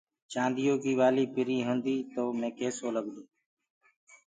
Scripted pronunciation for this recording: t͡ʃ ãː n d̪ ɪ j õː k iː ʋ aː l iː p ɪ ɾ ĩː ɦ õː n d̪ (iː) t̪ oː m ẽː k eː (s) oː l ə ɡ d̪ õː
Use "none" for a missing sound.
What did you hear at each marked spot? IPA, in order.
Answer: iː, s

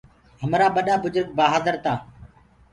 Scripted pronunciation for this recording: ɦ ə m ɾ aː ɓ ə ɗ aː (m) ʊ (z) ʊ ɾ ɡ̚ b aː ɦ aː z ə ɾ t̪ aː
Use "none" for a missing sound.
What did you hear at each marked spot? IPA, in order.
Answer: b, z

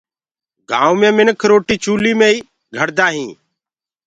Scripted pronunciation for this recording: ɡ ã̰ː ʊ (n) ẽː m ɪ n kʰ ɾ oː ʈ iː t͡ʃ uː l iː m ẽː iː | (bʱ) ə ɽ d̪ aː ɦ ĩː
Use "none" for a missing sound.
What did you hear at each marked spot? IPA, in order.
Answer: m, ɡʱ

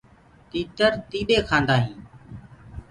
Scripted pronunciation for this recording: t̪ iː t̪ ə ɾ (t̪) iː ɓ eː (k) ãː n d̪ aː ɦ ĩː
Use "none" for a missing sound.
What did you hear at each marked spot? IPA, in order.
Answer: t̪, kʰ

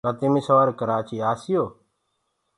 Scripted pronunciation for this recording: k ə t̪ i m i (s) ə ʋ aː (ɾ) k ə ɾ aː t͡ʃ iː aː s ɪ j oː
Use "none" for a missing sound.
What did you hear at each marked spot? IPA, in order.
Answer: s, ɾ

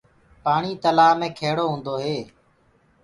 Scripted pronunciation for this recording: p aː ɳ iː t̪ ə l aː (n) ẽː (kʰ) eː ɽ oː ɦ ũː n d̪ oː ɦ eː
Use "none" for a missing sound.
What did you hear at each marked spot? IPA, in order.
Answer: m, kʰ

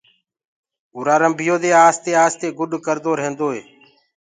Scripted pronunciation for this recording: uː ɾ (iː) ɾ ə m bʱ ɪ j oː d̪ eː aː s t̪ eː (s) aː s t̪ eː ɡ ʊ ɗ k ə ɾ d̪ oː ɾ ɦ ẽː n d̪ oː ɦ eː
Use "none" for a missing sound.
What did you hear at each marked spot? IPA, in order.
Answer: aː, none

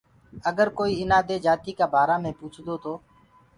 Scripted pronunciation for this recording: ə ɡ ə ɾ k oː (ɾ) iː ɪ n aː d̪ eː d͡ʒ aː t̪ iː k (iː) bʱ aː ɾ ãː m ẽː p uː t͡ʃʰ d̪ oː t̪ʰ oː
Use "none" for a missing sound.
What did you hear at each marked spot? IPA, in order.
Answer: none, aː

